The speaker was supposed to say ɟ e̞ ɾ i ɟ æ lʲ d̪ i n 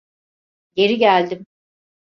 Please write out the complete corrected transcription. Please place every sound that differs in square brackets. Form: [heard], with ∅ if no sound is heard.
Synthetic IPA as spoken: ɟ e̞ ɾ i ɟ æ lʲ d̪ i [m]